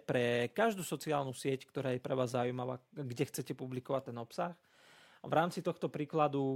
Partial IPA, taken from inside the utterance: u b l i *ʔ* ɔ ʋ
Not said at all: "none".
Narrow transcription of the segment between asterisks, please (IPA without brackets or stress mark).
k